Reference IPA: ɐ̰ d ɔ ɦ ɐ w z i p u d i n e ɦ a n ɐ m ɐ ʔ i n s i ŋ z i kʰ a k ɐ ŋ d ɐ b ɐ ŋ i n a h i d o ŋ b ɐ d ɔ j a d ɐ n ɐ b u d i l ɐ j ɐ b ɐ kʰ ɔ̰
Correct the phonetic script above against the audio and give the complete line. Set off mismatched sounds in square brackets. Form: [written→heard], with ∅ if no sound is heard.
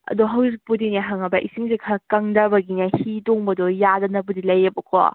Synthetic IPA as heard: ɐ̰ d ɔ ɦ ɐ w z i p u d i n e ɦ a [n→ŋ] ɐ [m→b] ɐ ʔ i [n→∅] s i ŋ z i kʰ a k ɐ ŋ d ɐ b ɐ [ŋ→ɡ] i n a h i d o ŋ b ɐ d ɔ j a d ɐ n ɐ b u d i l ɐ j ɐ b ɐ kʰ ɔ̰